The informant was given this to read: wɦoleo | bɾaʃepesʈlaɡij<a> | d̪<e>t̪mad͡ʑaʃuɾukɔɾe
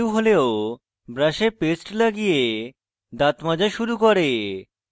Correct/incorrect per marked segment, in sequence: incorrect: e, incorrect: a

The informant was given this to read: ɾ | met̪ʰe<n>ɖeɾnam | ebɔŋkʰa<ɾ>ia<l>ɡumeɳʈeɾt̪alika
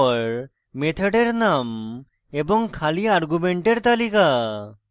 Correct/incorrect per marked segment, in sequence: incorrect: none, incorrect: l, incorrect: ɾ

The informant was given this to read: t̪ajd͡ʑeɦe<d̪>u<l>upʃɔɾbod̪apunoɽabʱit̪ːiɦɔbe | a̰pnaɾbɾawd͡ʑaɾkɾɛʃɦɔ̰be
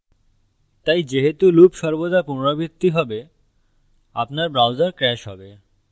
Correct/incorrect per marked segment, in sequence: incorrect: t̪, correct

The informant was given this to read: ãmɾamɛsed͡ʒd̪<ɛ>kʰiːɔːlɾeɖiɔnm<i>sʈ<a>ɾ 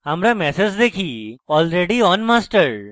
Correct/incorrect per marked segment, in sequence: incorrect: e, incorrect: a, incorrect: ə

